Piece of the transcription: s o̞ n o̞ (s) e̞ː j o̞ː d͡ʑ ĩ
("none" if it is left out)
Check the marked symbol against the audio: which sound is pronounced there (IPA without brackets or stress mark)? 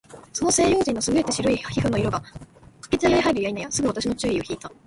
s